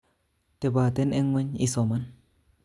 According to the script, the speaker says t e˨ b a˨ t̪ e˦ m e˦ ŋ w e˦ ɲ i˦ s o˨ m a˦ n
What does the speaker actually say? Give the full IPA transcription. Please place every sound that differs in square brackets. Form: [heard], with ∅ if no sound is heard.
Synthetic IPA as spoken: t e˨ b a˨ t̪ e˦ [n] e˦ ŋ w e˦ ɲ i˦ s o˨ m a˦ n